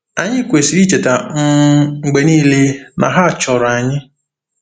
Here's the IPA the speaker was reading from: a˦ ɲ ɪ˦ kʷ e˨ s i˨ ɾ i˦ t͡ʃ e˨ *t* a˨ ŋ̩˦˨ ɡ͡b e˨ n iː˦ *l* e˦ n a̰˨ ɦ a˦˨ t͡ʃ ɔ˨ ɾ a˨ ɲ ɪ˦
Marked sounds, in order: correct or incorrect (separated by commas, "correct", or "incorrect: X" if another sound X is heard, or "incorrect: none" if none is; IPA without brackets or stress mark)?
correct, correct